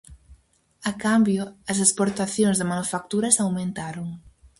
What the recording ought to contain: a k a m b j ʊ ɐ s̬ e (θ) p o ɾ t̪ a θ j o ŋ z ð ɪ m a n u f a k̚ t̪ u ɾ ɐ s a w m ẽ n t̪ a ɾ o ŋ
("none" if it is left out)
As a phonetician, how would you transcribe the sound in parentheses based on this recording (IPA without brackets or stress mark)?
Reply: s